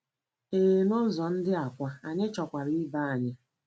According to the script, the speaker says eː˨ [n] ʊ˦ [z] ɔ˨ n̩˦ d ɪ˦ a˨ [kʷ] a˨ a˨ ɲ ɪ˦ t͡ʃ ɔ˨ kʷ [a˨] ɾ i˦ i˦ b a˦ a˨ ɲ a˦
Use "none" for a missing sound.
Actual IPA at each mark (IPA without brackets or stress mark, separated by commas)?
n, z, kʷ, a˨